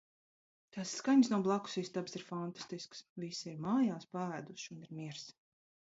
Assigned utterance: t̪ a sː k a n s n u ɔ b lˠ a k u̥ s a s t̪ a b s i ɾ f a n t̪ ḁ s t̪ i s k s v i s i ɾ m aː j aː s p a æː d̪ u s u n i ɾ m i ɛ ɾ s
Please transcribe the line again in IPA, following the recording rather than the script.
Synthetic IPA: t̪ a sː k a ɲ s n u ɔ b lˠ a k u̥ s i s t̪ a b s i ɾ f a n t̪ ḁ s t̪ i s k s v i s i ɾ m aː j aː s p a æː d̪ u ʃ u n i ɾ m i ɛ ɾ s